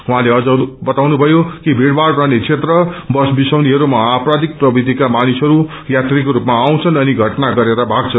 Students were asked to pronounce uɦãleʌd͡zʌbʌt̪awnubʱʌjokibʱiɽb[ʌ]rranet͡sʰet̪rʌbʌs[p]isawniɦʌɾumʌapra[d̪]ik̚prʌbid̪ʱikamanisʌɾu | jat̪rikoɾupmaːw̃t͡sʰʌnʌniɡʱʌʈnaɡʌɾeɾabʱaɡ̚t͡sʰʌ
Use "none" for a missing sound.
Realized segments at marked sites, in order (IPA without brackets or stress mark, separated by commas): a, b, d̪